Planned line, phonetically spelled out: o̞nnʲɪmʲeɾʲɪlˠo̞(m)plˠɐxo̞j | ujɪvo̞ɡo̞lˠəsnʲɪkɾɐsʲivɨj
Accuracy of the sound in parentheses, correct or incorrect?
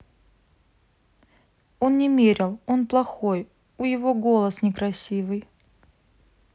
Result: incorrect